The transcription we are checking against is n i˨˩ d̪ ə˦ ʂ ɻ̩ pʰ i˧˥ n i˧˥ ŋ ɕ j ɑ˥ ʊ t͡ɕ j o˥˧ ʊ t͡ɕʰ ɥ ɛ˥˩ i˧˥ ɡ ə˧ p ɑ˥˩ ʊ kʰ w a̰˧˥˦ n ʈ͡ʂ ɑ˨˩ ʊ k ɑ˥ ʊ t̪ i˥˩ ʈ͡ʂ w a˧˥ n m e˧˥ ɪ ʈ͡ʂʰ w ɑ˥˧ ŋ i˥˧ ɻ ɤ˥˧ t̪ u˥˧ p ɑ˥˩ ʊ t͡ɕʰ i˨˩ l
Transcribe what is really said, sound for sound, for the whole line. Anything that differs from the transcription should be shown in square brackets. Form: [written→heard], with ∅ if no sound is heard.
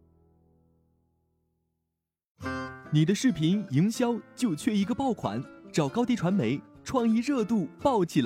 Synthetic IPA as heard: n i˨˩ d̪ ə˦ ʂ ɻ̩ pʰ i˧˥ n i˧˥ ŋ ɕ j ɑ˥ ʊ t͡ɕ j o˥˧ ʊ t͡ɕʰ ɥ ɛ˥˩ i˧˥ ɡ ə˧ p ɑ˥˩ ʊ kʰ w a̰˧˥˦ n ʈ͡ʂ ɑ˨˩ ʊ k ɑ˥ ʊ t̪ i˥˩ [ʈ͡ʂ→ʈ͡ʂʰ] w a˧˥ n m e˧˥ ɪ ʈ͡ʂʰ w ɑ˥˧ ŋ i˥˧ ɻ ɤ˥˧ t̪ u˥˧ p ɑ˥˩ ʊ t͡ɕʰ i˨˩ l